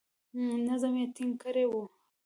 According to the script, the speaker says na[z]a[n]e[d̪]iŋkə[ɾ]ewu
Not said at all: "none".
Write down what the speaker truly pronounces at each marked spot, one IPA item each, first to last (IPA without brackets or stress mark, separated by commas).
z, m, t̪, ɾ